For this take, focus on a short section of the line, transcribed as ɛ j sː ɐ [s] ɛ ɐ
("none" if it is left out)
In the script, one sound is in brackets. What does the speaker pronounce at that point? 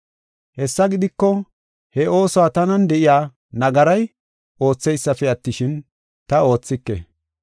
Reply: f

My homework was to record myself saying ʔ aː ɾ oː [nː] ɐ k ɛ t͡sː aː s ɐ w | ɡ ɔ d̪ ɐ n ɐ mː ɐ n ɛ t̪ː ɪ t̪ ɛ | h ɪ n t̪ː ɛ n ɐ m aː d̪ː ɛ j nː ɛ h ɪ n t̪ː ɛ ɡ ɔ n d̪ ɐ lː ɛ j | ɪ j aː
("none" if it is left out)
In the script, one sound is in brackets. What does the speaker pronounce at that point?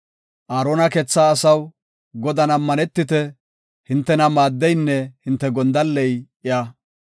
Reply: n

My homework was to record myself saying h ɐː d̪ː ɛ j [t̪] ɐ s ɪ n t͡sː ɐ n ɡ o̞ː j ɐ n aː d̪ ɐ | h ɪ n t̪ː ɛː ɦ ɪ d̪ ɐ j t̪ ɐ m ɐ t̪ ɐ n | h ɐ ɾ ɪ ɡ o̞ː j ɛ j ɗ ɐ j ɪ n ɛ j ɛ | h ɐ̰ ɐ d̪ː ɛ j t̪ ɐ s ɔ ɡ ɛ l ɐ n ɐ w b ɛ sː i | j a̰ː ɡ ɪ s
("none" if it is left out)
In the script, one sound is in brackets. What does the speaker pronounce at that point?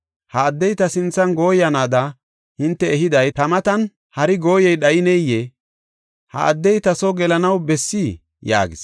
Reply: t̪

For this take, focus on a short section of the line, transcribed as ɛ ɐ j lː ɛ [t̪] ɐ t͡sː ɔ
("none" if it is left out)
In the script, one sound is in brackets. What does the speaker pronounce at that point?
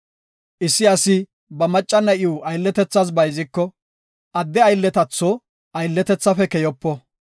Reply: t̪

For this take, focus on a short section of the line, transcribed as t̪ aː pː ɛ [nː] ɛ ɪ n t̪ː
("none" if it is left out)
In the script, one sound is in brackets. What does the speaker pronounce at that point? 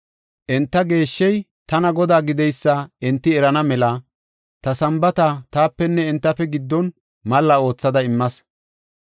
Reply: nː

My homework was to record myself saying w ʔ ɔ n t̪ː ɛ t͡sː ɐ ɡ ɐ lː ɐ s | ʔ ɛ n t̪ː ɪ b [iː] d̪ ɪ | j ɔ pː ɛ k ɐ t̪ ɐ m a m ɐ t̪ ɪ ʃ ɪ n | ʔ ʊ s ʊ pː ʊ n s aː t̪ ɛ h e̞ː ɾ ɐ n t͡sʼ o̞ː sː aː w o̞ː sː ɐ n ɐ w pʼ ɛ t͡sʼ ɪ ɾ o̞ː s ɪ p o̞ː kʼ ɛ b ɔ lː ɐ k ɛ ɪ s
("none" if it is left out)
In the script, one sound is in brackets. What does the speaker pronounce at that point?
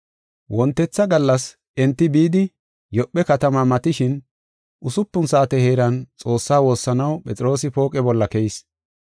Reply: iː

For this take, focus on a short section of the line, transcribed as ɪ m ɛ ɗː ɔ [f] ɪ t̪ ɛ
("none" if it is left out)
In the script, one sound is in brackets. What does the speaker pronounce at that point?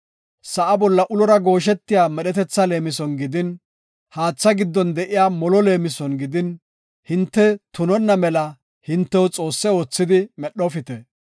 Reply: f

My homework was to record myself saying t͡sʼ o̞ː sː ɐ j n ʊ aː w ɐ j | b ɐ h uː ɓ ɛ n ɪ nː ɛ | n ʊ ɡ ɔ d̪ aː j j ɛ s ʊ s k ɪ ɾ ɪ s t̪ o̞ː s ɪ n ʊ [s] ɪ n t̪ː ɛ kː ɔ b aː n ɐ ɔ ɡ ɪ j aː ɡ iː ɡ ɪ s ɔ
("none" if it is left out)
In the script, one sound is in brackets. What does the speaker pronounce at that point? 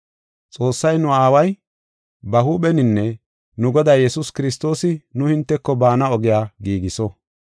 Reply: h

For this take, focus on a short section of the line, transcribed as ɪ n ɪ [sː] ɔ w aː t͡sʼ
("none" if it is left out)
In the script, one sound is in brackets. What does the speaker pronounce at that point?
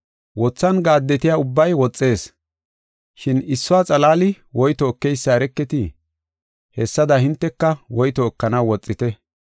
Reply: sː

